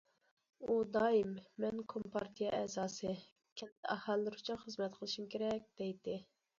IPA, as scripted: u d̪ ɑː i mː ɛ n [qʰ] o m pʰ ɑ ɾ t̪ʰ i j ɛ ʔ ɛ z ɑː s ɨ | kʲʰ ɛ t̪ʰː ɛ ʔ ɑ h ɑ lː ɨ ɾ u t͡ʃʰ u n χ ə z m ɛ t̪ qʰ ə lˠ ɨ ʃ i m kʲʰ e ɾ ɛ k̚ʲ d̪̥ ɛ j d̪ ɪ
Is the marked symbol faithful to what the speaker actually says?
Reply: no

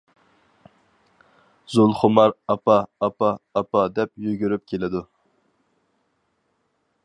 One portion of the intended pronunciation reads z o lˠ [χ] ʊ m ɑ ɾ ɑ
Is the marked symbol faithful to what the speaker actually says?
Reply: yes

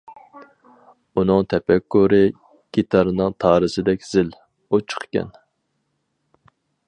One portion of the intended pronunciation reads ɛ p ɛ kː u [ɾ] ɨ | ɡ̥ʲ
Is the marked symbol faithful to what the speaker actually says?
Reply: yes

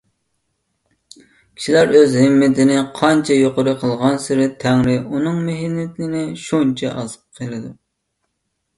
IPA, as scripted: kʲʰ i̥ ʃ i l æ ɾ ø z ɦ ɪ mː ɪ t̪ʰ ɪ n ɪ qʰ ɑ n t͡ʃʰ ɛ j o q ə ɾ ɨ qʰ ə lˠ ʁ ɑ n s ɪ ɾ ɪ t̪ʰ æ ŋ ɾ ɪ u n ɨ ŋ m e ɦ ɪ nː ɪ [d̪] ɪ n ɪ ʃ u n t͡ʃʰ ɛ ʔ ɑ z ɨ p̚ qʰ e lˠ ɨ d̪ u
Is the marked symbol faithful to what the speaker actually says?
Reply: no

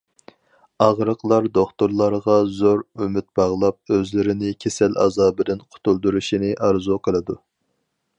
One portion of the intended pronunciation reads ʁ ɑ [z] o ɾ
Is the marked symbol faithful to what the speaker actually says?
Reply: yes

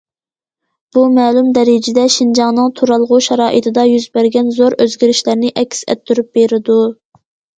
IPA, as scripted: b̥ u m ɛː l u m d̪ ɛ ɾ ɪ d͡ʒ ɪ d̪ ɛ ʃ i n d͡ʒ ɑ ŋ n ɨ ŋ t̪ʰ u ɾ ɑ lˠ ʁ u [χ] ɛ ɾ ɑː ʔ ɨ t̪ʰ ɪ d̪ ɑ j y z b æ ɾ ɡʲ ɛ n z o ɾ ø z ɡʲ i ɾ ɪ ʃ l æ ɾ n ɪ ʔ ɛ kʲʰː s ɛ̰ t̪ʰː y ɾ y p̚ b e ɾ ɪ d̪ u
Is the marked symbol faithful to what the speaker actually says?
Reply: no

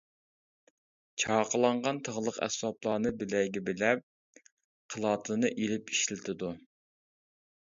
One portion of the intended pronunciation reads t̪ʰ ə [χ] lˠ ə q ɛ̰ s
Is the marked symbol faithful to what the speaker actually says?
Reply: no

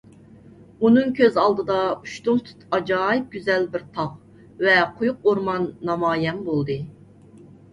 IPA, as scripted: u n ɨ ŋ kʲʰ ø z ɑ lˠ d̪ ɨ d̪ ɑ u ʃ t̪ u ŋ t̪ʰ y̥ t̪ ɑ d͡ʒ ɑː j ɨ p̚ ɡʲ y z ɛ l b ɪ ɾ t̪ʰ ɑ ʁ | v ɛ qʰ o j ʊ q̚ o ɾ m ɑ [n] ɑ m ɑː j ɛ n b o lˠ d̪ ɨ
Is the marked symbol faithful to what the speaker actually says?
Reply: no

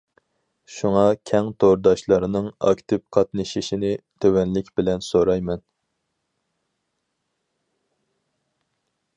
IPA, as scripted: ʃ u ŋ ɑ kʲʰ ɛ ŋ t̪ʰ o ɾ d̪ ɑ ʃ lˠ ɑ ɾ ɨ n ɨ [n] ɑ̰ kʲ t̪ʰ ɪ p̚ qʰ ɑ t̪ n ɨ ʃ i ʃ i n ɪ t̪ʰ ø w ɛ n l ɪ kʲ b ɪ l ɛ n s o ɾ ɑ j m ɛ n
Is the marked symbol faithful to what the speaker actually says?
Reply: no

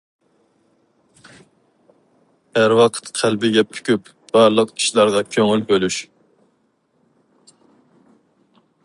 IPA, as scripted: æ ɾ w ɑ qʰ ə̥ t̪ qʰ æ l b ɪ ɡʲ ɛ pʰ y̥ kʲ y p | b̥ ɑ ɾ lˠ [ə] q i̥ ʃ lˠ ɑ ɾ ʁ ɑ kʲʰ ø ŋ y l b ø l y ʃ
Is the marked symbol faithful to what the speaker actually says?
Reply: yes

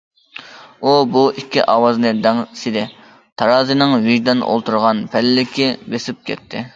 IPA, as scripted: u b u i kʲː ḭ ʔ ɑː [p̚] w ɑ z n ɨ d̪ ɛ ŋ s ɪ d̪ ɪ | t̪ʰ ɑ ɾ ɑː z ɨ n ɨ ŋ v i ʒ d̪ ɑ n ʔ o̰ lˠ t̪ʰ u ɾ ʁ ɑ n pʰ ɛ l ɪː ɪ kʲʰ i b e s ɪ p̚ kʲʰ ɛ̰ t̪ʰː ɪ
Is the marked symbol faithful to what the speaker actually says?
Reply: no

